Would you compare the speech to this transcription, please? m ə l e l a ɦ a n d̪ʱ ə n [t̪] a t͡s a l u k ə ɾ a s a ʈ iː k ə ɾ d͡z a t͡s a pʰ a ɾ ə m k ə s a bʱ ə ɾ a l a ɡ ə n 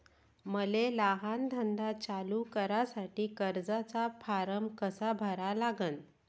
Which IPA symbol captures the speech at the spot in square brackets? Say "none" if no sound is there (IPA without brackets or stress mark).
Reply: d̪